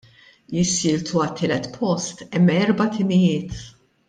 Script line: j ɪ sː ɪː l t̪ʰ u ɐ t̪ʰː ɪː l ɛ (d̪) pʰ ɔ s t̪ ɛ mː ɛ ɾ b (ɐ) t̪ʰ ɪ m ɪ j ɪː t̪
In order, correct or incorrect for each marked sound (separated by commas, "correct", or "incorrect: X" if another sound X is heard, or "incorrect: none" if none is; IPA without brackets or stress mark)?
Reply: incorrect: t̪, correct